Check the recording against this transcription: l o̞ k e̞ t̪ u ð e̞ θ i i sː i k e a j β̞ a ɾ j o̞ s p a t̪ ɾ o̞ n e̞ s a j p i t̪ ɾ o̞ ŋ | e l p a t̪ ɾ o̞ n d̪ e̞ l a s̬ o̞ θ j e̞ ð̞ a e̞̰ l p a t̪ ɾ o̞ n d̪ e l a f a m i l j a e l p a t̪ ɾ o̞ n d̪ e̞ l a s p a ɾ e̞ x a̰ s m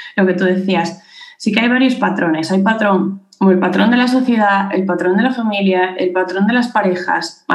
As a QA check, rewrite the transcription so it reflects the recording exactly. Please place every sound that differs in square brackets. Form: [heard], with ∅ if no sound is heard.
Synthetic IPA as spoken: l o̞ k e̞ t̪ u ð e̞ θ i [a] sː i k e a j β̞ a ɾ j o̞ s p a t̪ ɾ o̞ n e̞ s a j p [a] t̪ ɾ o̞ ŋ | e l p a t̪ ɾ o̞ n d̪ e̞ l a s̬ o̞ θ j e̞ ð̞ a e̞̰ l p a t̪ ɾ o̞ n d̪ e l a f a m i l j a e l p a t̪ ɾ o̞ n d̪ e̞ l a s p a ɾ e̞ x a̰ s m